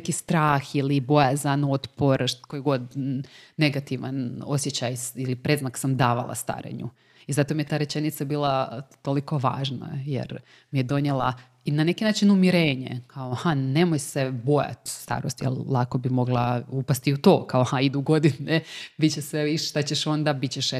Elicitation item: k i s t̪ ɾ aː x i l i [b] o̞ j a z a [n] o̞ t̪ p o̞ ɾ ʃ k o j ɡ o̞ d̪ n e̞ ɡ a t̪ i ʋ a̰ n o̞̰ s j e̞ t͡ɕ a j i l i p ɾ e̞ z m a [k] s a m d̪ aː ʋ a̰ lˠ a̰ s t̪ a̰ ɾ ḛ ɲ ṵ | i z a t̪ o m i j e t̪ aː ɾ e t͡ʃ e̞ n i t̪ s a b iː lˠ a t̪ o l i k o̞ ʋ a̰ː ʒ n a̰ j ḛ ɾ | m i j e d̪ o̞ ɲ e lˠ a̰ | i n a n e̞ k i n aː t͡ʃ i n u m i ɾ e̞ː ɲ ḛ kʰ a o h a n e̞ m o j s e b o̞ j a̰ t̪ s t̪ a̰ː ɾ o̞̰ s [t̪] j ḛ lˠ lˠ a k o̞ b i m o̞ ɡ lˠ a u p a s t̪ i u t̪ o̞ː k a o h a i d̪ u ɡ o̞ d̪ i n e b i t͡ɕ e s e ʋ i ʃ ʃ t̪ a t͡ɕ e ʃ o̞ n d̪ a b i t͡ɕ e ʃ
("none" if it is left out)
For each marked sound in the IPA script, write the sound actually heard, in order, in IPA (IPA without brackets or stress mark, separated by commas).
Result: b, n, k, t̪